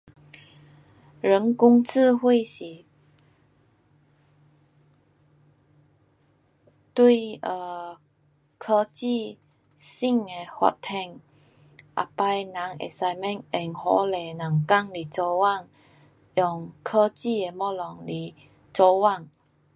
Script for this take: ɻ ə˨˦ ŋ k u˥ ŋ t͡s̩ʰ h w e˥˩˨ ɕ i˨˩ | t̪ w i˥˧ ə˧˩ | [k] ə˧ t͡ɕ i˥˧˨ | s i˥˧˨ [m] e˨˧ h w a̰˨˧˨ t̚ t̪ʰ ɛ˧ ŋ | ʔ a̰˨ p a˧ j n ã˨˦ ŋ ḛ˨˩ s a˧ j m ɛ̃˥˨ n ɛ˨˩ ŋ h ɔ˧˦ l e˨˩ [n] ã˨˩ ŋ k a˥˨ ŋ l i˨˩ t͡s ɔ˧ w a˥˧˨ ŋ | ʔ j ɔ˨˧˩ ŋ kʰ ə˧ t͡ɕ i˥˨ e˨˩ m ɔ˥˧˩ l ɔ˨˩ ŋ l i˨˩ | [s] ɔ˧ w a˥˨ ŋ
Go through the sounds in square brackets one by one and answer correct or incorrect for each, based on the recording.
incorrect, incorrect, correct, incorrect

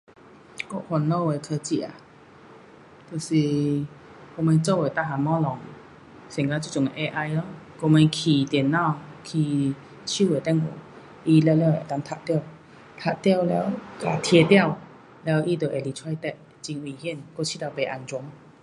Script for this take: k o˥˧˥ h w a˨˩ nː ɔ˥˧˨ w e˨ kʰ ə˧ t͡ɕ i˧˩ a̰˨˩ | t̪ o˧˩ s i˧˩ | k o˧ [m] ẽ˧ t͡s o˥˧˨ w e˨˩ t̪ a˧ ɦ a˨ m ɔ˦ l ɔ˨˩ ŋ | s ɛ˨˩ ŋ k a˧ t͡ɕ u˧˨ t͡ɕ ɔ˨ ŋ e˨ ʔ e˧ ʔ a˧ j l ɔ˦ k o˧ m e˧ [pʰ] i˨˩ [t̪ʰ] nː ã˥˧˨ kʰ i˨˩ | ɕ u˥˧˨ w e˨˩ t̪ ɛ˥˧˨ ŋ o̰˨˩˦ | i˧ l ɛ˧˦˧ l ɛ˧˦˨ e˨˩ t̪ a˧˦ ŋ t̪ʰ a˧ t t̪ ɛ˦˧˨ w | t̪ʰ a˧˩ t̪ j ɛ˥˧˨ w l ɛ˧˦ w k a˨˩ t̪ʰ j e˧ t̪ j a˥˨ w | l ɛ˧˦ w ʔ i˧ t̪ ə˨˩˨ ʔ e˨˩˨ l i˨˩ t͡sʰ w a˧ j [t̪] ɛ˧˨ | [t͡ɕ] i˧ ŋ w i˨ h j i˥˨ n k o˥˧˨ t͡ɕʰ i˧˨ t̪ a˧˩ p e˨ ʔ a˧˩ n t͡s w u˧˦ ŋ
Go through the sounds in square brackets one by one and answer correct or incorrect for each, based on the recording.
correct, incorrect, incorrect, correct, correct

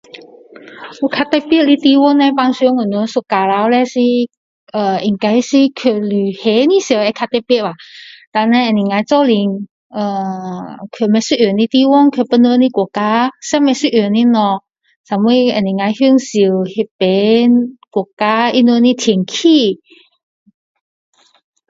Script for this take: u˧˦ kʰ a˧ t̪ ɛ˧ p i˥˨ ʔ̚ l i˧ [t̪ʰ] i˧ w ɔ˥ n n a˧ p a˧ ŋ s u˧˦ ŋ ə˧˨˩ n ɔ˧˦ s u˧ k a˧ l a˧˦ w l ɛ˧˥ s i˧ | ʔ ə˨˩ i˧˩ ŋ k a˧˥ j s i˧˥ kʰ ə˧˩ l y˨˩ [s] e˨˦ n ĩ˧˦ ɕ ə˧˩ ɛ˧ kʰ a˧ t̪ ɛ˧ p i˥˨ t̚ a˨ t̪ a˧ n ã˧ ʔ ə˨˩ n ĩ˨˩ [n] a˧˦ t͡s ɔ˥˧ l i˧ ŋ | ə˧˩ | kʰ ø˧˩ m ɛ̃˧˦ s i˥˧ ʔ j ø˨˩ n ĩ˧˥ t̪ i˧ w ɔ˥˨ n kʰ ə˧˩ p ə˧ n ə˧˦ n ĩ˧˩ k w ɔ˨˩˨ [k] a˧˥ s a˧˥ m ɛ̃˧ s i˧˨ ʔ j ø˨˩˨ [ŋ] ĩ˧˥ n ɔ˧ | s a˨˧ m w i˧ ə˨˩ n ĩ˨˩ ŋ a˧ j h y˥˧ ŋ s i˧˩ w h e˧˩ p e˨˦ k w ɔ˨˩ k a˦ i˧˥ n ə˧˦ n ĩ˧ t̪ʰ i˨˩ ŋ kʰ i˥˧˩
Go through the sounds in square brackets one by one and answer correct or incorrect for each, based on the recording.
incorrect, incorrect, incorrect, correct, incorrect

